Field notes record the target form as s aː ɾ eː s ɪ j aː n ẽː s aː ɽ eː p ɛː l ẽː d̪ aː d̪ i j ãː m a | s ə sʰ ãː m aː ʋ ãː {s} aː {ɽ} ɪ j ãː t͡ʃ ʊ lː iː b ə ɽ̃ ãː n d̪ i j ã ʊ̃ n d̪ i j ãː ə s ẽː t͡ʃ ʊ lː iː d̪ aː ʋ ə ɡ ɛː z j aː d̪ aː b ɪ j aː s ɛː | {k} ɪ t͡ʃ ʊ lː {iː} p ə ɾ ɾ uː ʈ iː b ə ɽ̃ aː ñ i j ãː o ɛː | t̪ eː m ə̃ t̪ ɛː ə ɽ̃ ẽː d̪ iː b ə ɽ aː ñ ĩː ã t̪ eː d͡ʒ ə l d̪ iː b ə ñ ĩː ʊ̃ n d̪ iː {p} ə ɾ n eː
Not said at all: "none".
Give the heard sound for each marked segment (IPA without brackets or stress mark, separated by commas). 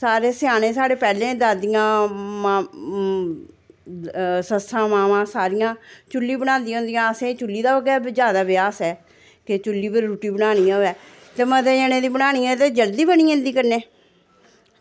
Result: s, ɾ, k, iː, k